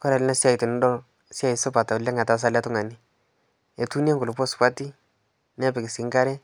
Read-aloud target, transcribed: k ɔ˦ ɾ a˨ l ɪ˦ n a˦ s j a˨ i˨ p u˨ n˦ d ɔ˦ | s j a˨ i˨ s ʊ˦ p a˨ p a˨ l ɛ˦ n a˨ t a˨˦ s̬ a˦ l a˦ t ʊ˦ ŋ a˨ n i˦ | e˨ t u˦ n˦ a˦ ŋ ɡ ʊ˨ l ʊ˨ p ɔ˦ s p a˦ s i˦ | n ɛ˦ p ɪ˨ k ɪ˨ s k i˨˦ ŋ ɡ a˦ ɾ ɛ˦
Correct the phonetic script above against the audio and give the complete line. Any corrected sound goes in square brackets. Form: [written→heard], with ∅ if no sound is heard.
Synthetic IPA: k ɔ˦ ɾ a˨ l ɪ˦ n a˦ s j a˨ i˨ [p→t] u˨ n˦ d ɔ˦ | s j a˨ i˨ s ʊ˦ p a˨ [p→t] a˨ l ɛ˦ [n→ŋ] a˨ t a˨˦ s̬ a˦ l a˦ t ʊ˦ ŋ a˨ n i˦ | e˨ t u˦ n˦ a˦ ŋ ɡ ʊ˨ l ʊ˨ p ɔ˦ s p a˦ [s→t] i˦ | n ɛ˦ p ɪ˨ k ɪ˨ s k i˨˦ ŋ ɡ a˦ ɾ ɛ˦